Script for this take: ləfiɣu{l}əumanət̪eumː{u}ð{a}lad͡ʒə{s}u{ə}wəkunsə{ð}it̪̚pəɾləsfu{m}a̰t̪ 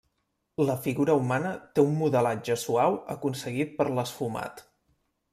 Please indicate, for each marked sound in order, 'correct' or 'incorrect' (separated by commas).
incorrect, correct, incorrect, correct, incorrect, incorrect, correct